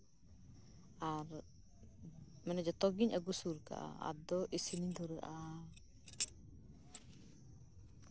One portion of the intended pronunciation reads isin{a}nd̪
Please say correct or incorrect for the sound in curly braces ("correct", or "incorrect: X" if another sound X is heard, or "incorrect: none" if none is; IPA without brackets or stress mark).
incorrect: i